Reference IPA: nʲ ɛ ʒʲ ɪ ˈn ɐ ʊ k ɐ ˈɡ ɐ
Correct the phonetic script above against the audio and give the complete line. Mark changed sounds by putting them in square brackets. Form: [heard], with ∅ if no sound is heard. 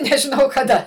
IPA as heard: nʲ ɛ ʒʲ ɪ ˈn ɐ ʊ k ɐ [ˈd] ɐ